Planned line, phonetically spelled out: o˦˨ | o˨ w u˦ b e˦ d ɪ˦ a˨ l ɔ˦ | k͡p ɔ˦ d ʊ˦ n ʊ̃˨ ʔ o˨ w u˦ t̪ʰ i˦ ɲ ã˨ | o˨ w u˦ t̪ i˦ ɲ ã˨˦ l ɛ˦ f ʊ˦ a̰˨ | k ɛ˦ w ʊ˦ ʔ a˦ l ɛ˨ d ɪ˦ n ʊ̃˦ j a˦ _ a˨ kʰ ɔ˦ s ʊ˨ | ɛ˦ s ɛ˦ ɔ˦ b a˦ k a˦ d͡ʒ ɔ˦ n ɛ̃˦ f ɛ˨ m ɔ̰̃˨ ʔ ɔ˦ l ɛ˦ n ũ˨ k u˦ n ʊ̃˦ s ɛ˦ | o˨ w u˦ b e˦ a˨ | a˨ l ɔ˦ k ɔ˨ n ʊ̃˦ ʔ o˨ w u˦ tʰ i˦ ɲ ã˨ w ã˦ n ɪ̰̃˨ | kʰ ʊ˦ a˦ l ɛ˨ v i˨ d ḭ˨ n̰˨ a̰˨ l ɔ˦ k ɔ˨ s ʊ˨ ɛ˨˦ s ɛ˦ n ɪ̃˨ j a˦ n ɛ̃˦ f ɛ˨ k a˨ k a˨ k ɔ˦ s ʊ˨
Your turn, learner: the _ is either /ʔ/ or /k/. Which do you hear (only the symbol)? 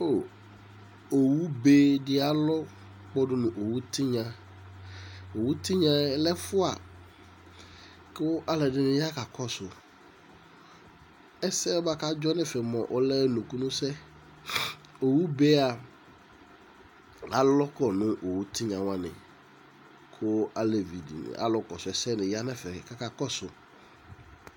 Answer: k